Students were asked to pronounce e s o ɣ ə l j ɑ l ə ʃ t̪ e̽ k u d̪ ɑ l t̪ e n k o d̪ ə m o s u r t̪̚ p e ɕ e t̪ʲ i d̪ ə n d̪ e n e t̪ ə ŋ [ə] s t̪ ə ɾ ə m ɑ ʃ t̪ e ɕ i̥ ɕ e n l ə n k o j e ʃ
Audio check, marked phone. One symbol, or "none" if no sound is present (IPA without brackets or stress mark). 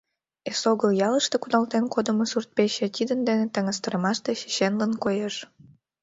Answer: ə